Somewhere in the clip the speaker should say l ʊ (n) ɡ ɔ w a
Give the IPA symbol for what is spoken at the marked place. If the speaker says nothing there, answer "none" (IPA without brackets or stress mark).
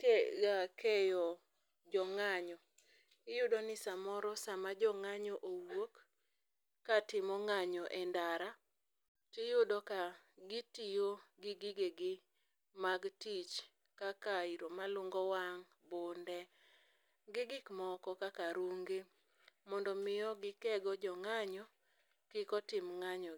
ŋ